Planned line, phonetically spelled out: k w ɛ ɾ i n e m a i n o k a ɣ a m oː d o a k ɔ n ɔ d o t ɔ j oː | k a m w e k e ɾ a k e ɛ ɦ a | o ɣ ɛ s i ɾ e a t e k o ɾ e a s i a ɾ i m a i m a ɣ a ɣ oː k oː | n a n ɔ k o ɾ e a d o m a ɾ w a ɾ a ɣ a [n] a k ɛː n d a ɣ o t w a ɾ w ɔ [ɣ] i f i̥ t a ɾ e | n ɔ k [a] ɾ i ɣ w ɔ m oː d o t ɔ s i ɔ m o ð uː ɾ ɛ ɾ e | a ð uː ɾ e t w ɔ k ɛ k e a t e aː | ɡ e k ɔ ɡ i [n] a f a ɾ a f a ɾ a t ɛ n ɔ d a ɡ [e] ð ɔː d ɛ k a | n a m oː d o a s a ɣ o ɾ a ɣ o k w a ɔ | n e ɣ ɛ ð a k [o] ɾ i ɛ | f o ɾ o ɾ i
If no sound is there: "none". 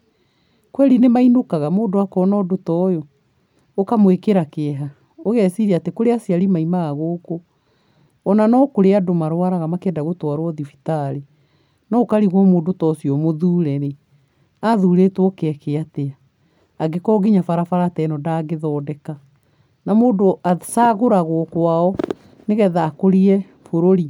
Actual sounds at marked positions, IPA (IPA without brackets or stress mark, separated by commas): m, ð, a, ɲ, e, o